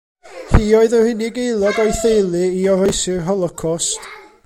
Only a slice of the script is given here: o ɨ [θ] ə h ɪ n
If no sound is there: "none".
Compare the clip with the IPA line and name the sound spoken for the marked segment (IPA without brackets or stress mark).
ð